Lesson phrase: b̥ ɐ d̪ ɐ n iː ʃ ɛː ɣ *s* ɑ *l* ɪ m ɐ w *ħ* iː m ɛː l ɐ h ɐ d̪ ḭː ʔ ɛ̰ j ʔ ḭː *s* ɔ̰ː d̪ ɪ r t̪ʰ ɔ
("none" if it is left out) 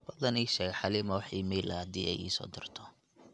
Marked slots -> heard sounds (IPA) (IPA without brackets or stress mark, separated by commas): ħ, l, ħ, s